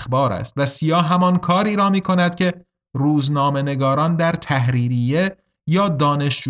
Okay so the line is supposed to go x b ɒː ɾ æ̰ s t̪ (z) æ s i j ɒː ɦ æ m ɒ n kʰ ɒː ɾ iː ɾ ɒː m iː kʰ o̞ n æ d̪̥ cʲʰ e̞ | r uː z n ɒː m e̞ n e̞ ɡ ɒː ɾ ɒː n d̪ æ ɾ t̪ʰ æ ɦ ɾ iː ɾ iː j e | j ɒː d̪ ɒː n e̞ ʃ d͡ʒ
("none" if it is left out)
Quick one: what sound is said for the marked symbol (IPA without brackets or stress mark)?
v